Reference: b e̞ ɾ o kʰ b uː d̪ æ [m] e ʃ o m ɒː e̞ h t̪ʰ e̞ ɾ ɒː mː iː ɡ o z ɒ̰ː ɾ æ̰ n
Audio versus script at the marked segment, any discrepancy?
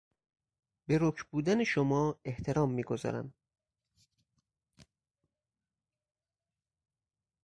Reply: yes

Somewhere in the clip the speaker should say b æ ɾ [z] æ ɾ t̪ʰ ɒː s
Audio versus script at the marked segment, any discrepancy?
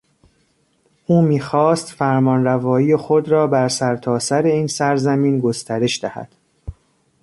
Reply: yes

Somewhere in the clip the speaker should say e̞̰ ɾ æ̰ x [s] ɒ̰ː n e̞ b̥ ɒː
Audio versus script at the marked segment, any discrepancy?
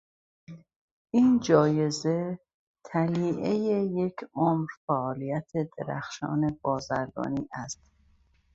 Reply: yes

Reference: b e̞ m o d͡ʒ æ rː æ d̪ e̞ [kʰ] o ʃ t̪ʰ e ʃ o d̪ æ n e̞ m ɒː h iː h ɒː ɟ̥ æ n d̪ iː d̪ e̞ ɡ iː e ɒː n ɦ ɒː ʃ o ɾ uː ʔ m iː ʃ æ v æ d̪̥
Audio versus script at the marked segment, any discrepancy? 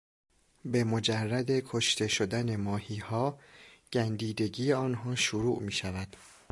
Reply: no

